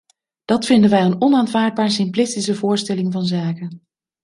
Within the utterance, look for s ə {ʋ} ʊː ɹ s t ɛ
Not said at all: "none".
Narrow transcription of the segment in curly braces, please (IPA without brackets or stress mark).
v